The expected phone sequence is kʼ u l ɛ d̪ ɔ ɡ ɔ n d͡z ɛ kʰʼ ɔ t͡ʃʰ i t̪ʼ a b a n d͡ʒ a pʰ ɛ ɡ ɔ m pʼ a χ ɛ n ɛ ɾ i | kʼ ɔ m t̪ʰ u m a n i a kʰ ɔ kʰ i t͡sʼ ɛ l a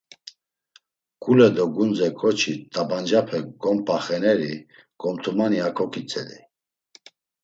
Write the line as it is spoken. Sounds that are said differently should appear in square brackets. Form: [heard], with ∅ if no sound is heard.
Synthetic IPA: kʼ u l ɛ d̪ ɔ ɡ [u] n d͡z ɛ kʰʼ ɔ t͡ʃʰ i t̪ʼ a b a n d͡ʒ a pʰ ɛ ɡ ɔ m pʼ a χ ɛ n ɛ ɾ i | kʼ ɔ m t̪ʰ u m a n i a kʰ ɔ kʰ i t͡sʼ ɛ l [i]